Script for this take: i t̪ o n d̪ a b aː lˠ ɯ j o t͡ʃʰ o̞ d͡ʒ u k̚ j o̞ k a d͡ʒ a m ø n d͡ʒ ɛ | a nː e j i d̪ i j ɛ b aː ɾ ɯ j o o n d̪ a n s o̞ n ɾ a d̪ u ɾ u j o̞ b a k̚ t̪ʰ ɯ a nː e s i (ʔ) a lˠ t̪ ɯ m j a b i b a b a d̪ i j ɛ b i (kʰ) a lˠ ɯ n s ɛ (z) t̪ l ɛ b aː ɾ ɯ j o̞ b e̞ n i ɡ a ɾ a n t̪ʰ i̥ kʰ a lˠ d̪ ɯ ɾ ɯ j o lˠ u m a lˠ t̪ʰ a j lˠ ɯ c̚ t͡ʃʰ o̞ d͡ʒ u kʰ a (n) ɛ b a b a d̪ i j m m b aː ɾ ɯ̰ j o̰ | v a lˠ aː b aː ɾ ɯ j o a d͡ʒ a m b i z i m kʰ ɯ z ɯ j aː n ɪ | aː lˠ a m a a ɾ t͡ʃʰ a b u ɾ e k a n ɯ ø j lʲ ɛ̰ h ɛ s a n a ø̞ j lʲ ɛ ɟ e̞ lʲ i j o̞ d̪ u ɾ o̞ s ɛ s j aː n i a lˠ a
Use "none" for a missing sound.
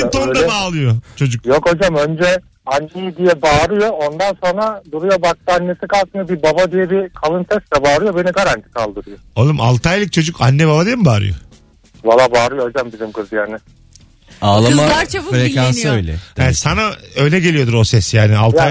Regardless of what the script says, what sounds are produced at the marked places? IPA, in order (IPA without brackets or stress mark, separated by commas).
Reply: k, kʰ, s, nː